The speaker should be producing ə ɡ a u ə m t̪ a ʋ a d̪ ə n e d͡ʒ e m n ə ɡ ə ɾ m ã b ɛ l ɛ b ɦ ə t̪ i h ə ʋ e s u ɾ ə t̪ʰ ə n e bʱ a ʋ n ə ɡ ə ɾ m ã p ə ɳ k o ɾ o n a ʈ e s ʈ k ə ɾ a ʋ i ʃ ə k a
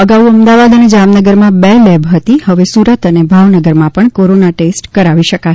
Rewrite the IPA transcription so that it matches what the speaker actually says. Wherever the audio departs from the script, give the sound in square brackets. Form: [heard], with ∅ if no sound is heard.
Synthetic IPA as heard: ə ɡ a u ə m [d̪] a ʋ a d̪ ə n e d͡ʒ [a] m n ə ɡ ə ɾ m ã b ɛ l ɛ b ɦ ə t̪ i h ə ʋ e s u ɾ ə [t̪] ə n e bʱ a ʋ n ə ɡ ə ɾ m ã p ə ɳ k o ɾ o n a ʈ e s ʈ k ə ɾ a ʋ i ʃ ə k a